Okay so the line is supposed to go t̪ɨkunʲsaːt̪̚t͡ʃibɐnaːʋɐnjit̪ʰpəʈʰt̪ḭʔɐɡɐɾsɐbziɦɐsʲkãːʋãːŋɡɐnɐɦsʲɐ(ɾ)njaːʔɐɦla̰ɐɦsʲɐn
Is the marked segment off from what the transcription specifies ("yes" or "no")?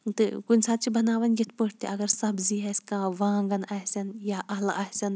yes